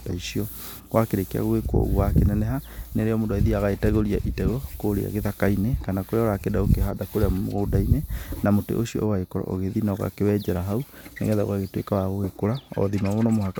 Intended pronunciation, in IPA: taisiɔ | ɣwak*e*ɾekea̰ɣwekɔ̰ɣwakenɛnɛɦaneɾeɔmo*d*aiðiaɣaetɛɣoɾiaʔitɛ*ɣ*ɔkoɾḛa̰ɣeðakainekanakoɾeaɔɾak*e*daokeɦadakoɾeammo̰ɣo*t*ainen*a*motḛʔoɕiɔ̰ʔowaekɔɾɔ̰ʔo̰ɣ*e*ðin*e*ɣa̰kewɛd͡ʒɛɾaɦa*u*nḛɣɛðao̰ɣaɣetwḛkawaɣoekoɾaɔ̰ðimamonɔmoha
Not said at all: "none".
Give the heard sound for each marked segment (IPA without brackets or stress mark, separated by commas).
e, d, ɣ, e, d, a, e, a, u